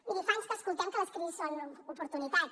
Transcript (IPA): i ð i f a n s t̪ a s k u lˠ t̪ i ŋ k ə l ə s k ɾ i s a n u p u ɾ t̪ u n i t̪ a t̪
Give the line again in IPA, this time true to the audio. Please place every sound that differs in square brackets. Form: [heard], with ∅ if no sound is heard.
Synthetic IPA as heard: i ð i f a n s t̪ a s k u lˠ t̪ [a] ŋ k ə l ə s k ɾ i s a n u p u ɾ t̪ u n i t̪ a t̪